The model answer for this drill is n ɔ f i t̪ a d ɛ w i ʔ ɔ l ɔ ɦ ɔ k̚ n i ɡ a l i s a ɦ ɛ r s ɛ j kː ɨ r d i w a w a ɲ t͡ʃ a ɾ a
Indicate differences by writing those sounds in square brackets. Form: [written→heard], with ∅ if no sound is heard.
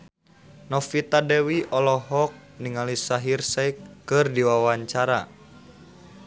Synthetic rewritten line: n ɔ f i t̪ a d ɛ w i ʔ ɔ l ɔ ɦ ɔ k̚ n i [ɡ→ŋ] a l i s a ɦ [ɛ→i] r s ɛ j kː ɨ r d i w a w a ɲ t͡ʃ a ɾ a